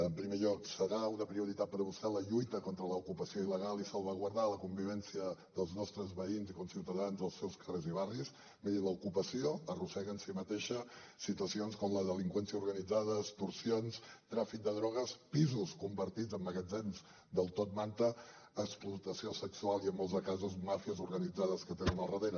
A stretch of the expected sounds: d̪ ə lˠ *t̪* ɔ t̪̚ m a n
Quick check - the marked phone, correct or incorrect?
correct